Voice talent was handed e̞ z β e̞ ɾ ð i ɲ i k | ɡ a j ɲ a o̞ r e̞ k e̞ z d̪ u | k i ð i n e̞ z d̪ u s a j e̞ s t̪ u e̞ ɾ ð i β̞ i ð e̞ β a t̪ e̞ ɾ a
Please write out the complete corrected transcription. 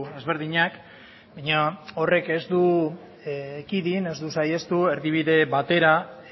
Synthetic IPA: e̞ z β e̞ ɾ ð i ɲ a k | b a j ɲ a o̞ r e̞ k e̞ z d̪ u | k i ð i n e̞ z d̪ u s a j e̞ s t̪ u e̞ ɾ ð i β̞ i ð e̞ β a t̪ e̞ ɾ a